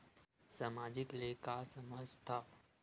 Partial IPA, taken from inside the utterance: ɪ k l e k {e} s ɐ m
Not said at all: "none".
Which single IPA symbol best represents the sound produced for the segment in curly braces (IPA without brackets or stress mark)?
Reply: a